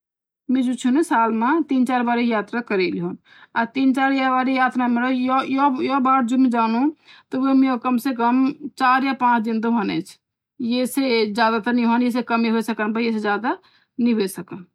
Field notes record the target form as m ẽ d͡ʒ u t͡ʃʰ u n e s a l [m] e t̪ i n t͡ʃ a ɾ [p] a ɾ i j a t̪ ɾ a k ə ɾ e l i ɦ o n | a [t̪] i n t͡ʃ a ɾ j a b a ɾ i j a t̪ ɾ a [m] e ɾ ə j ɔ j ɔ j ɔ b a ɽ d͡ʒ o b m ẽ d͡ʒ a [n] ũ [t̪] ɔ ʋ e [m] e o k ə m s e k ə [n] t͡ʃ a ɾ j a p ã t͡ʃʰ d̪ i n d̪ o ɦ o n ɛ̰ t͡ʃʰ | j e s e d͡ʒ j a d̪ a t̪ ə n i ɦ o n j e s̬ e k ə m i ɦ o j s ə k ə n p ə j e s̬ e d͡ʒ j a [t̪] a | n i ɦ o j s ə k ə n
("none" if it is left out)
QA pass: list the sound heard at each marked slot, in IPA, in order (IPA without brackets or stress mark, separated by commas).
m, b, t̪, m, n, t̪, m, m, d̪